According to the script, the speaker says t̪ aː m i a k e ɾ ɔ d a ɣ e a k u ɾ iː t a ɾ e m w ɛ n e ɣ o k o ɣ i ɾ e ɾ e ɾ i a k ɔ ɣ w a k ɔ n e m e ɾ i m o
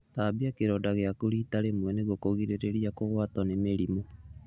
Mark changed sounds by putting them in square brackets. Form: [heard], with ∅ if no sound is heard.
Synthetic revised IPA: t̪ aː [b] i a k e ɾ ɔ d a ɣ e a k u ɾ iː t a ɾ e m w ɛ n e ɣ o k o ɣ i ɾ e ɾ e ɾ i a k [o] ɣ w a [t] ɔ n e m e ɾ i m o